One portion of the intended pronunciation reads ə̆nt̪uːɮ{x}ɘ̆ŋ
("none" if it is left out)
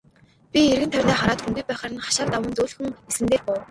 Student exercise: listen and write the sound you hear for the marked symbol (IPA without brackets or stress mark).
x